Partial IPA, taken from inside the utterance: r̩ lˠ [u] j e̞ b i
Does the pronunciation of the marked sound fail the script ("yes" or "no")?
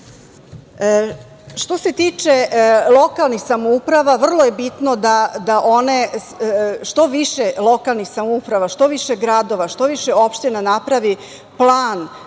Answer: yes